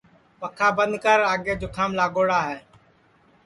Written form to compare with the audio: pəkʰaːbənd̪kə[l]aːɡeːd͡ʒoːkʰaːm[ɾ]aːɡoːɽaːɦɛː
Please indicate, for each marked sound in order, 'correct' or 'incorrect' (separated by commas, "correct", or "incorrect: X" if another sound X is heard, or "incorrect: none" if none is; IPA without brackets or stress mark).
incorrect: ɾ, incorrect: l